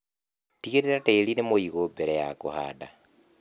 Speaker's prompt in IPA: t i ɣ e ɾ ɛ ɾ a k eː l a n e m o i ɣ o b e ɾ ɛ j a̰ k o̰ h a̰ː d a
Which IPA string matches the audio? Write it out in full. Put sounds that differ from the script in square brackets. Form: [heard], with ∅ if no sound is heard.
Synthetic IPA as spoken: t i ɣ e ɾ [e] ɾ a [t] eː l [i] n e m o i ɣ o b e ɾ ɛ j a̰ k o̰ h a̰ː d a